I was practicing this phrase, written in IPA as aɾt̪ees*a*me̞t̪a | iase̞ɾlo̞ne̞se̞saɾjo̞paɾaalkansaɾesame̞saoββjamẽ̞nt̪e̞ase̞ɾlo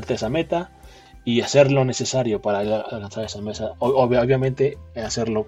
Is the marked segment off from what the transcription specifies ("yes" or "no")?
no